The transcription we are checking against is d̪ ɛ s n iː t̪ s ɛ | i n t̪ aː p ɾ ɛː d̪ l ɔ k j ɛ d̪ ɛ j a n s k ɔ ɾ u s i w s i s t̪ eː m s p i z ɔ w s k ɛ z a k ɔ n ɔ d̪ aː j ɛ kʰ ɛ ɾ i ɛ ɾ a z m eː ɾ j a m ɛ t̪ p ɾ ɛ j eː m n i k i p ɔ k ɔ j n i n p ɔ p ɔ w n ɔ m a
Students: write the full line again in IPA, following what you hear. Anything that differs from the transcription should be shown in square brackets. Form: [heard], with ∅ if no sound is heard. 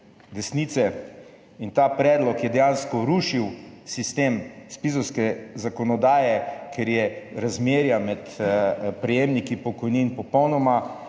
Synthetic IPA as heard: d̪ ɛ s n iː t̪ s ɛ | i n t̪ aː p ɾ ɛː d̪ l ɔ k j ɛ d̪ ɛ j a n s k ɔ ɾ u [ʃ] i w s i s t̪ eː m s p i z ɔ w s k ɛ z a k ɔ n ɔ d̪ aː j ɛ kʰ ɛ ɾ [j] ɛ ɾ a z m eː ɾ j a m ɛ t̪ p ɾ ɛ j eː m n i k i p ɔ k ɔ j n i n p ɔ p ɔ w n ɔ m a